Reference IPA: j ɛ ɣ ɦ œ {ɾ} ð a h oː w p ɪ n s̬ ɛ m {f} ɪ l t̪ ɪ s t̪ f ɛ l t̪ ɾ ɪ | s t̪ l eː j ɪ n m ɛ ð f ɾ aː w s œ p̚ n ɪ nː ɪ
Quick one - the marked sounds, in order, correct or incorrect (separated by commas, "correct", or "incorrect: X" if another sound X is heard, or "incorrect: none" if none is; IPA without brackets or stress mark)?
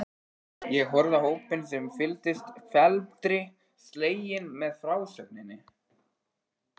correct, correct